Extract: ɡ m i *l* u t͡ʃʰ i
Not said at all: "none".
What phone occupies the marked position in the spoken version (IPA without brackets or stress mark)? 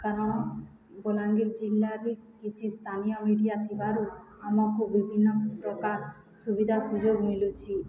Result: l